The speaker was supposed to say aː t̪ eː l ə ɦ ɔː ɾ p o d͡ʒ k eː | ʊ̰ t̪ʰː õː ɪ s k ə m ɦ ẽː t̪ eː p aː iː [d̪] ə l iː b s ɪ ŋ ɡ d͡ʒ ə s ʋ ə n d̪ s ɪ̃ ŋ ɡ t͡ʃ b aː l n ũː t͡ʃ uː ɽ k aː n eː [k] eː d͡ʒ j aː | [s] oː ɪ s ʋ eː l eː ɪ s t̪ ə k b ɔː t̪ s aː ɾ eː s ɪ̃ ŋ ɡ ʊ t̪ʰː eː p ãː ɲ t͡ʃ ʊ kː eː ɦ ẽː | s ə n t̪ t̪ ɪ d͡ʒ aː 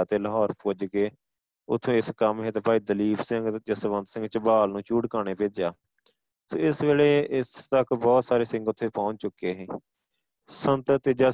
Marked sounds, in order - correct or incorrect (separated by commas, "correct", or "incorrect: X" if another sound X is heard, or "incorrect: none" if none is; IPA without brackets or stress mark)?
correct, incorrect: p, correct